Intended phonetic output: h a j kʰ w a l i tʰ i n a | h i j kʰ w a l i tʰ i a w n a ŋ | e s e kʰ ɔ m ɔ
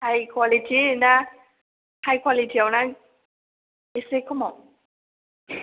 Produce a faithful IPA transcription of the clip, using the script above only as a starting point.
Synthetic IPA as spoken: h a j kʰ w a l i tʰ i n a | h a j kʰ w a l i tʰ i a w n a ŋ | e s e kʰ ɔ m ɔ